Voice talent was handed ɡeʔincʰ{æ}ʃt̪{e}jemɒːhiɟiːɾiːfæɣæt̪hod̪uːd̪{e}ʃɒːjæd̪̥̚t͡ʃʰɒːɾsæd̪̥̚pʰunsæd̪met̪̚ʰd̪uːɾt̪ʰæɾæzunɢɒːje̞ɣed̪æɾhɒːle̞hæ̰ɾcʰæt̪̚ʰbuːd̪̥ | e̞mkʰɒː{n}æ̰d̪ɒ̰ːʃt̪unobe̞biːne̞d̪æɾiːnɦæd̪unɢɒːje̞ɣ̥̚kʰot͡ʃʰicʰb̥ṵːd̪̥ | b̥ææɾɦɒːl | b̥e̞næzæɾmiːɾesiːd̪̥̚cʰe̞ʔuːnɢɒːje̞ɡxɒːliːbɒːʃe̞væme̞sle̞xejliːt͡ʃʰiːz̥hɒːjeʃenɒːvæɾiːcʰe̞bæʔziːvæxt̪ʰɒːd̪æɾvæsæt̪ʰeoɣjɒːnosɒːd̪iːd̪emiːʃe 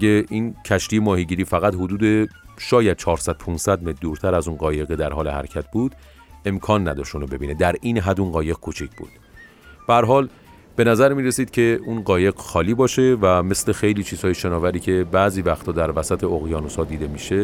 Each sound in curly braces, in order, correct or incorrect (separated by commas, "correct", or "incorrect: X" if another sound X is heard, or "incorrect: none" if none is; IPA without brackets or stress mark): correct, incorrect: i, correct, incorrect: nː